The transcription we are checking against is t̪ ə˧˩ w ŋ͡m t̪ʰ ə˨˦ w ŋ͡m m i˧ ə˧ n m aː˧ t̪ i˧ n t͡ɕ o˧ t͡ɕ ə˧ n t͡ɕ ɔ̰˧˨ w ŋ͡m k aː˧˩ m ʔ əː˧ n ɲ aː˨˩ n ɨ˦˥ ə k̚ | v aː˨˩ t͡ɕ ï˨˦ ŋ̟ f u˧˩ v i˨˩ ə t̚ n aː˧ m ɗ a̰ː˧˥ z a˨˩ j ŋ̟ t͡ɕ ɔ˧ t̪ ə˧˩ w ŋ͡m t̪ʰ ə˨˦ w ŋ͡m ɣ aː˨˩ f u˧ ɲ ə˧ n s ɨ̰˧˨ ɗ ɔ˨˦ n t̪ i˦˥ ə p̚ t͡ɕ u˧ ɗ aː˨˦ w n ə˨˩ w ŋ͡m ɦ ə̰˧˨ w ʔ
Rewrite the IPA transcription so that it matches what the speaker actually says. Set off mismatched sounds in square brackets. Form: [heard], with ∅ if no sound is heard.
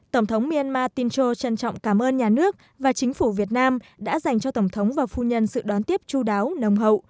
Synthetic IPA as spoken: t̪ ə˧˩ w ŋ͡m t̪ʰ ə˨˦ w ŋ͡m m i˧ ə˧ n m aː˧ t̪ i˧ n t͡ɕ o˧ t͡ɕ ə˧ n t͡ɕ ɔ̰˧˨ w ŋ͡m k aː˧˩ m ʔ əː˧ n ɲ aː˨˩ n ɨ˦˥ ə k̚ | v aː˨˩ t͡ɕ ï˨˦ ŋ̟ f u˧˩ v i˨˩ ə t̚ n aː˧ m ɗ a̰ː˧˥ z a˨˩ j ŋ̟ t͡ɕ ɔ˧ t̪ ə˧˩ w ŋ͡m t̪ʰ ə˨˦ w ŋ͡m [v] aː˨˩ f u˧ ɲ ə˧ n s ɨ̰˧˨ ɗ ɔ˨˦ n t̪ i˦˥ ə p̚ t͡ɕ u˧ ɗ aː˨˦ w n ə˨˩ w ŋ͡m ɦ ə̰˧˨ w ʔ